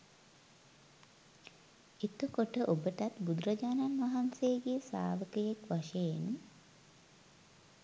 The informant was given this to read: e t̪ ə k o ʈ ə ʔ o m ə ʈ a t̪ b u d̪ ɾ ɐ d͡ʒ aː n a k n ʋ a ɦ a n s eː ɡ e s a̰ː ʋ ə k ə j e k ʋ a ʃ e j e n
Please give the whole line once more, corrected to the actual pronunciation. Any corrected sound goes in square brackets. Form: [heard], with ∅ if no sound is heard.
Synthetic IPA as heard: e t̪ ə k o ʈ ə ʔ o [b] ə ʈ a t̪ b u d̪ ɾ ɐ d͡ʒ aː n a [∅] n ʋ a ɦ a n s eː ɡ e s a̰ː ʋ ə k ə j e k ʋ a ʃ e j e n